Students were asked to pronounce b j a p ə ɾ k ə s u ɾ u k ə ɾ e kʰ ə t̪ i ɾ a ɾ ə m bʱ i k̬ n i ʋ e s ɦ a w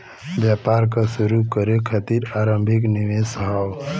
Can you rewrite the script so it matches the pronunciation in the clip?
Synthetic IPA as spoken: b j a p a ɾ k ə s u ɾ u k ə ɾ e kʰ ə t̪ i ɾ a ɾ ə m bʱ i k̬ n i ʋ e s ɦ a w